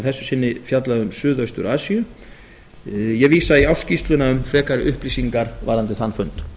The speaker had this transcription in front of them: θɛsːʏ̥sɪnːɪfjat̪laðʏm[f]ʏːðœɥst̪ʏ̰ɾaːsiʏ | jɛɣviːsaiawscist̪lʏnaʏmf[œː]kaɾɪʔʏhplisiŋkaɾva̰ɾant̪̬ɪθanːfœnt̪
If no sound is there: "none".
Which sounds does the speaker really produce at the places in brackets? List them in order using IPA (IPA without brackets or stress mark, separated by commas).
s, ɛː